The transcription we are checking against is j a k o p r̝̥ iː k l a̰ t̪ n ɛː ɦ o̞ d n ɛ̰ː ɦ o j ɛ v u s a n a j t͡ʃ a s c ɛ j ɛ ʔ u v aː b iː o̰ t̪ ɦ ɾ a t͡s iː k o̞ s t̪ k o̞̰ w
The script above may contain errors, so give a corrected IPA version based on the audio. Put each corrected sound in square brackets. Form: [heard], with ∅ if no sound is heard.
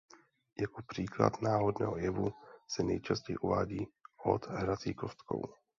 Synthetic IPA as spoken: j a k o p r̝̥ iː k l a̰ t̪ n [aː] ɦ o̞ d n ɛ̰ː ɦ o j ɛ v u s [ɛ] n [ɛ] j t͡ʃ a s c ɛ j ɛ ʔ u v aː [ɟ] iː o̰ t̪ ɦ ɾ a t͡s iː k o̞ s t̪ k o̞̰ w